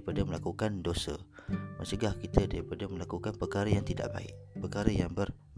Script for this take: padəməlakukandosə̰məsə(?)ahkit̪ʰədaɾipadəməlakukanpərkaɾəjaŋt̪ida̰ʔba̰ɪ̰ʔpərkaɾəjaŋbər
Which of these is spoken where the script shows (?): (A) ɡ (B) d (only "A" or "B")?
A